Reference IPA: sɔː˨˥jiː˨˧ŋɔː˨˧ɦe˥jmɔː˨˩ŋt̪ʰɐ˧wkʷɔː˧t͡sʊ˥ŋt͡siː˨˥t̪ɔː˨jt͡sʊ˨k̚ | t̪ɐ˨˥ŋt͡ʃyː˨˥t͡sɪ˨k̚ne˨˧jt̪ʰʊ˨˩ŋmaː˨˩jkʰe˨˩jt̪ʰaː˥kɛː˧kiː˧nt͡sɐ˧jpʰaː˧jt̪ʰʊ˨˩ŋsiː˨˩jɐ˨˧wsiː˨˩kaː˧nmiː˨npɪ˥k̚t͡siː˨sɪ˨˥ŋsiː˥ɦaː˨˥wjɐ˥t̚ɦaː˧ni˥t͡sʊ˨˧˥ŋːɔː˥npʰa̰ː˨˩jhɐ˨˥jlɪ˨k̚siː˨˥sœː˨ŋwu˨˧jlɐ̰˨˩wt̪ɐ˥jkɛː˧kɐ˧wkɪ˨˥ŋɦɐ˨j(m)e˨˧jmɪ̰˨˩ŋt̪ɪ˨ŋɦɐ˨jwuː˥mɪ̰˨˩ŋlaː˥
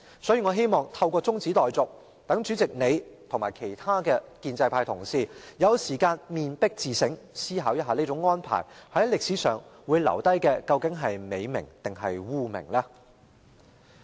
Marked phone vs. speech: correct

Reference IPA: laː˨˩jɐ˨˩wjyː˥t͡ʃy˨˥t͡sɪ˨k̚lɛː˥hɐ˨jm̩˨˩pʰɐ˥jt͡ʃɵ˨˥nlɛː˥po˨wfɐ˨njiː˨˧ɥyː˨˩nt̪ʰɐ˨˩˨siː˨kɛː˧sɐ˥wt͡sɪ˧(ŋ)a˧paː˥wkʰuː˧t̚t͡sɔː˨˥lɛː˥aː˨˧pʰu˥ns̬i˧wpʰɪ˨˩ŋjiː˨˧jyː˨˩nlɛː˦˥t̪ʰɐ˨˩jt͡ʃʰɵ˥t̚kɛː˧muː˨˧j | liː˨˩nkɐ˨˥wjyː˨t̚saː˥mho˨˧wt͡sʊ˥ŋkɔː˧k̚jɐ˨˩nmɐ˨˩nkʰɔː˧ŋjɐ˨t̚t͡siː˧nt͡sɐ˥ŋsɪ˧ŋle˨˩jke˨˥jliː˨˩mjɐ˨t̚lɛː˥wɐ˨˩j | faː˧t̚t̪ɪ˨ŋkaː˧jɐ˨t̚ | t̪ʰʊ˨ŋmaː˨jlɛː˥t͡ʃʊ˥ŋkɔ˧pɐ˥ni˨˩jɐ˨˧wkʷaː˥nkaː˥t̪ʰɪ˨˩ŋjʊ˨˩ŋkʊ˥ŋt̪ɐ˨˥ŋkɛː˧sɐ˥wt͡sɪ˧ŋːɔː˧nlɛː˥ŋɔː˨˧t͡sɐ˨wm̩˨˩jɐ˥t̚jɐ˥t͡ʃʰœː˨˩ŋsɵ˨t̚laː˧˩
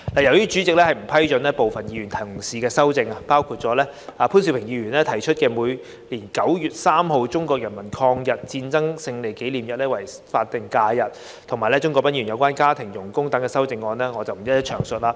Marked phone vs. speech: correct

